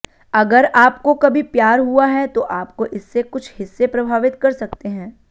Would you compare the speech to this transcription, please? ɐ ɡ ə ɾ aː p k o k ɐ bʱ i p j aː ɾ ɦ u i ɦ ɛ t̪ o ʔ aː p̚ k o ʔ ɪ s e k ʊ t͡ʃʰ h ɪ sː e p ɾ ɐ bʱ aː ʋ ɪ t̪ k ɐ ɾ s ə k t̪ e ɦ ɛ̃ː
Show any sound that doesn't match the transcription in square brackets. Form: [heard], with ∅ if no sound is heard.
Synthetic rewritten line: ɐ ɡ ə ɾ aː p k o k ɐ bʱ i p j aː ɾ ɦ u [a] ɦ ɛ t̪ o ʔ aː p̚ k o ʔ ɪ [sː] e k ʊ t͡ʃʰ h ɪ sː e p ɾ ɐ bʱ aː ʋ ɪ t̪ k ɐ ɾ s [ɐ] k t̪ e ɦ ɛ̃ː